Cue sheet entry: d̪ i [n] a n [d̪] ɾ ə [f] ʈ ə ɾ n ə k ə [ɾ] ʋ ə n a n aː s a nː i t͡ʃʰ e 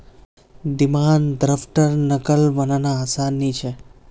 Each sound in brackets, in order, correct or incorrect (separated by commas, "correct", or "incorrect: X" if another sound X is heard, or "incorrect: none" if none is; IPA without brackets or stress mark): incorrect: m, correct, correct, incorrect: l